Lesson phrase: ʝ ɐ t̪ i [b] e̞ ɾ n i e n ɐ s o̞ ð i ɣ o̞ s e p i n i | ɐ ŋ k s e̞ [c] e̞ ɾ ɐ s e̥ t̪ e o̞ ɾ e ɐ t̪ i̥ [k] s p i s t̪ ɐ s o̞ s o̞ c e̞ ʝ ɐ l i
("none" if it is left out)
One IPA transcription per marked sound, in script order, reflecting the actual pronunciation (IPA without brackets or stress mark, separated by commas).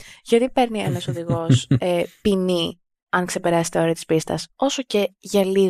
p, p, none